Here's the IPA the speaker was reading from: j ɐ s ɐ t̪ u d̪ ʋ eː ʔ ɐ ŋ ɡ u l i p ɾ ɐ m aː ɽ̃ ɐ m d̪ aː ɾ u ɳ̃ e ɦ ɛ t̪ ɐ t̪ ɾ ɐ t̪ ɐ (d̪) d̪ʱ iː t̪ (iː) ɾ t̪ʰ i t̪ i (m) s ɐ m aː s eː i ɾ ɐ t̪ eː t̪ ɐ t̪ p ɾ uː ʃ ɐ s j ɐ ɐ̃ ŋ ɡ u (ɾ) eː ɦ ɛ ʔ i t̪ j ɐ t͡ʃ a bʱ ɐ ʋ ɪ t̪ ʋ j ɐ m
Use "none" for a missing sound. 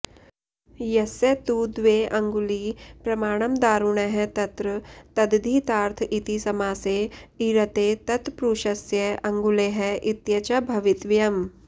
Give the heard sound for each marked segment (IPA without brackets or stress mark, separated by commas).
d̪, aː, none, l